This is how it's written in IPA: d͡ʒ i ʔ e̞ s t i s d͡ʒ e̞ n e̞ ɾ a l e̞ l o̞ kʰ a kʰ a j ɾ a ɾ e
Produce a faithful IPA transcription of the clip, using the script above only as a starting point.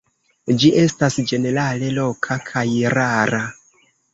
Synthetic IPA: d͡ʒ i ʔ e̞ s t a s d͡ʒ e̞ n e̞ ɾ a l e̞ l o̞ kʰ a kʰ a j ɾ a ɾ a